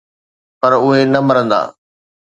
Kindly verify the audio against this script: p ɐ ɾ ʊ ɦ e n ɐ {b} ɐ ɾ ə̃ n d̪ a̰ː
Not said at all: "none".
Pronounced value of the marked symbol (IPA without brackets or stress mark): m